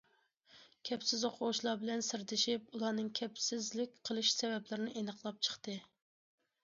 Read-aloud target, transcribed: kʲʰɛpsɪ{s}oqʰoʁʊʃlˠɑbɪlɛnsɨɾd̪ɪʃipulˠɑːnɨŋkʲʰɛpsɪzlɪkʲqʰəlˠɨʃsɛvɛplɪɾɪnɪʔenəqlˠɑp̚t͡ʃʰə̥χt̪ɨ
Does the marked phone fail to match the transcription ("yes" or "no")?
yes